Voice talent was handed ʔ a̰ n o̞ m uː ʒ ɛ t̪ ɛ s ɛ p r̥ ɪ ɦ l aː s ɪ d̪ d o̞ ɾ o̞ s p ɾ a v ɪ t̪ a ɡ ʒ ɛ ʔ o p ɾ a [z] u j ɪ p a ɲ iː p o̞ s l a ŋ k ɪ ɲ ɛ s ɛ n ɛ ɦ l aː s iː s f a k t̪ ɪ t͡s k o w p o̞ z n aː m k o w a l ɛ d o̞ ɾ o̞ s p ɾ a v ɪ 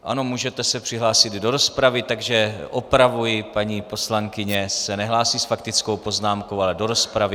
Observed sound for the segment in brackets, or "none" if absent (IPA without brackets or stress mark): v